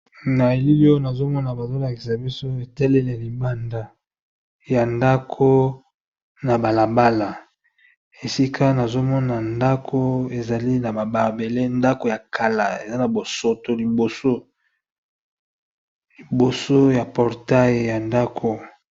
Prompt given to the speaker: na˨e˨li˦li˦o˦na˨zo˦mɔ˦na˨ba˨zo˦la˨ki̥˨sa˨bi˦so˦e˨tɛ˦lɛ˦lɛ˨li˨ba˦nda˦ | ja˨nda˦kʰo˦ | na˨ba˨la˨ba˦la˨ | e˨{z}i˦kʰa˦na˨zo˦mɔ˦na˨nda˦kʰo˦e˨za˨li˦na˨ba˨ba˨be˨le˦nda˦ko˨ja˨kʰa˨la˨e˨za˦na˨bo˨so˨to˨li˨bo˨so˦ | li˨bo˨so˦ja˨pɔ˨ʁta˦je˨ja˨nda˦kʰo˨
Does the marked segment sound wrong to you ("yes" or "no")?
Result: yes